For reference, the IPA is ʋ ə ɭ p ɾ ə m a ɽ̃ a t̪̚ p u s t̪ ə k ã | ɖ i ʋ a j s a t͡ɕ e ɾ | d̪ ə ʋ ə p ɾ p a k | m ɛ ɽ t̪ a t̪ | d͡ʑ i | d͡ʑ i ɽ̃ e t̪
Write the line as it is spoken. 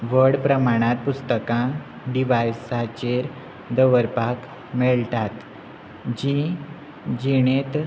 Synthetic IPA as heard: ʋ ə ɽ p ɾ ə m a ɽ̃ a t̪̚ p u s t̪ ə k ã | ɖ i ʋ a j s a t͡ɕ e ɾ | d̪ ə ʋ ə ɾ p a k | m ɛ ɭ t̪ a t̪ | d͡ʑ i | d͡ʑ i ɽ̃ e t̪